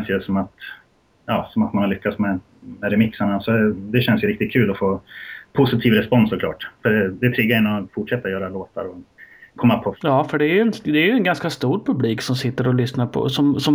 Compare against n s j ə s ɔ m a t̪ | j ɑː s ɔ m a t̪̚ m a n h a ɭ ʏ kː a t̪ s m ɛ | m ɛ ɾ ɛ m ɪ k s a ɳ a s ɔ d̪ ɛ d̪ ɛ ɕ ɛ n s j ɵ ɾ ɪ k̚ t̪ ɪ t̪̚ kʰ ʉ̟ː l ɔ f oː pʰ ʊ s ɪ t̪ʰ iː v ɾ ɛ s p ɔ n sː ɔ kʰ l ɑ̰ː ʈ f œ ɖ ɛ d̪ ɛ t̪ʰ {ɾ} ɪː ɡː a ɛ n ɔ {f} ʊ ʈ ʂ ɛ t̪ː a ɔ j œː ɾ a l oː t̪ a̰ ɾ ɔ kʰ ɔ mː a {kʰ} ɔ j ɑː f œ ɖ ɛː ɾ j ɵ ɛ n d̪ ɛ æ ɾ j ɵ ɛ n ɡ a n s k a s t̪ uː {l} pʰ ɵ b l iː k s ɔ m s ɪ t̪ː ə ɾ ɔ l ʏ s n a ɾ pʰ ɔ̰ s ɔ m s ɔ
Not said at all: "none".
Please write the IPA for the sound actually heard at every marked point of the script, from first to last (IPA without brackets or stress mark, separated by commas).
ɾ, f, pʰ, ɾ